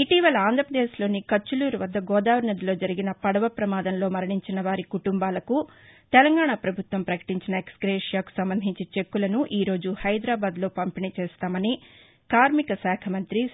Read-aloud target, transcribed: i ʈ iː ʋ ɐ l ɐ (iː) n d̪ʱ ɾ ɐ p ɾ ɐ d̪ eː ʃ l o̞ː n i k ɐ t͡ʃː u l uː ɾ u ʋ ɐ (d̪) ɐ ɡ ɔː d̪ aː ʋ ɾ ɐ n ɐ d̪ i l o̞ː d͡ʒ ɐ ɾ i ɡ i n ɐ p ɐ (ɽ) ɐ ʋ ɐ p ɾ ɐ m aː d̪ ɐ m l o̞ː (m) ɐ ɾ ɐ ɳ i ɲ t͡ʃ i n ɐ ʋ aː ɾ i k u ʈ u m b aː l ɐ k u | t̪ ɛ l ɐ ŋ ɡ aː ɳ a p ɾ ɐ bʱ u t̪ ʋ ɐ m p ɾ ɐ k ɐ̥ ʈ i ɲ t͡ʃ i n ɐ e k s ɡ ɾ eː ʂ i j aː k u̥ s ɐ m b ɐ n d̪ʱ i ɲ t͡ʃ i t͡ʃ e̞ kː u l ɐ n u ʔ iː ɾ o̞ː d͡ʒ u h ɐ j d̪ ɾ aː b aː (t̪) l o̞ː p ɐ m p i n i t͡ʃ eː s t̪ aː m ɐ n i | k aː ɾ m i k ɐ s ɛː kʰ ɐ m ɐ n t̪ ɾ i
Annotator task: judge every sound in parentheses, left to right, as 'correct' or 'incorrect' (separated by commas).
incorrect, incorrect, correct, correct, incorrect